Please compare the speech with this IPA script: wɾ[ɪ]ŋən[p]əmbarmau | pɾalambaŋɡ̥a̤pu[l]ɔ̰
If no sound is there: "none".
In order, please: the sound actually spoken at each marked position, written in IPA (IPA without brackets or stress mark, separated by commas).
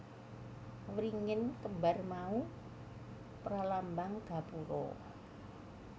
i, k, ɾ